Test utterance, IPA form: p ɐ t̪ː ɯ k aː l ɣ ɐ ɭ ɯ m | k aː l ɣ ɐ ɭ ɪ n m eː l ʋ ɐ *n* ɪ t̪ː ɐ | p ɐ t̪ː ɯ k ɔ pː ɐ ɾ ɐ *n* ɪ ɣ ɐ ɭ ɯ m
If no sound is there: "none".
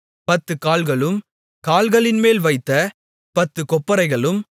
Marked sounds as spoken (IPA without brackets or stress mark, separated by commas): none, none